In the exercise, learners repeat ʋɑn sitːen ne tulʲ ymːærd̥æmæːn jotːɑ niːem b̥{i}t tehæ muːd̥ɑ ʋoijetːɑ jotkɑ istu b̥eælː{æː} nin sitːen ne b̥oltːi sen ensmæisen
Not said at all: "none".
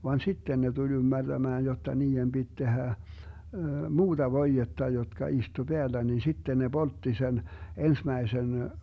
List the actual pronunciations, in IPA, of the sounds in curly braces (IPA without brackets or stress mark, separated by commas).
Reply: i, æ